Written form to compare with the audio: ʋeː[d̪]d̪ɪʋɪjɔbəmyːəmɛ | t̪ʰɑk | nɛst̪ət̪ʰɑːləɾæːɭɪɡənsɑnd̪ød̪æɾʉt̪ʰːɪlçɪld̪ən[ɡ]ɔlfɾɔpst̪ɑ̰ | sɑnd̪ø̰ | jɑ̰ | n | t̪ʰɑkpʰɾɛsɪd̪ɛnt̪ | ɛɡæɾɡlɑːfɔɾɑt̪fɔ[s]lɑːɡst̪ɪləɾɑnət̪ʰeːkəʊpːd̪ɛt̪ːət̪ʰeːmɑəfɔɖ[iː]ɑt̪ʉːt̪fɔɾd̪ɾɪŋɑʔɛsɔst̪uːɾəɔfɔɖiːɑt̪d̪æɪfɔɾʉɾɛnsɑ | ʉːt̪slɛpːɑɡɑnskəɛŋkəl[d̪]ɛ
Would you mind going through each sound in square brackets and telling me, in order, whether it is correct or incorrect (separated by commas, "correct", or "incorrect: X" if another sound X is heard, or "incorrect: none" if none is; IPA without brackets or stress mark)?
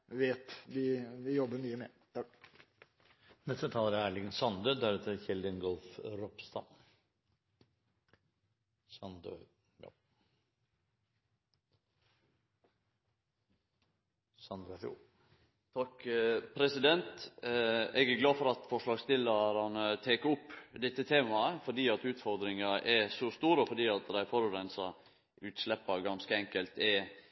incorrect: t̪, correct, incorrect: ʂ, correct, incorrect: t̪